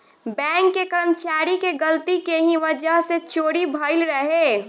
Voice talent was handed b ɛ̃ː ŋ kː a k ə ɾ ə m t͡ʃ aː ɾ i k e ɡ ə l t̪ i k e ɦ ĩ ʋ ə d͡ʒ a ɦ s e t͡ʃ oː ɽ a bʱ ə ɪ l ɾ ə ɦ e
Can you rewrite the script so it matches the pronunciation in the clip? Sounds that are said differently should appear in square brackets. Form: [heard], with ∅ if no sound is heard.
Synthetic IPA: b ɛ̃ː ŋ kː [e] k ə ɾ ə m t͡ʃ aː ɾ i k e ɡ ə l t̪ i k e ɦ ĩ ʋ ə d͡ʒ [ə] ɦ s e t͡ʃ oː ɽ [i] bʱ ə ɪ l ɾ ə ɦ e